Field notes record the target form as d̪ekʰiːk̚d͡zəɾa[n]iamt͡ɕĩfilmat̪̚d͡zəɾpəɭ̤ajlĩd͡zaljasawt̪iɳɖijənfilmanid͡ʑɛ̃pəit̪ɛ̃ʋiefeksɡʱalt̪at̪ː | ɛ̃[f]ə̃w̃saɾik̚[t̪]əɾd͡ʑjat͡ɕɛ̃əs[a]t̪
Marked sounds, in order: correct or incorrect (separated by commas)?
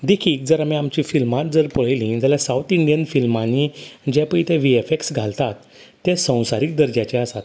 incorrect, incorrect, incorrect, correct